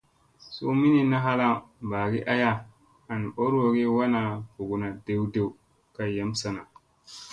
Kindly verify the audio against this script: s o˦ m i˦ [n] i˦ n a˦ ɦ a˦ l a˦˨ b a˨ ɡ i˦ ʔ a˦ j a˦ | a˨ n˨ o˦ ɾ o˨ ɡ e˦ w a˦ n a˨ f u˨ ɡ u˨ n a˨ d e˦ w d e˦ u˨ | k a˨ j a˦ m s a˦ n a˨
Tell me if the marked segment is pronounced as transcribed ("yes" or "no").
yes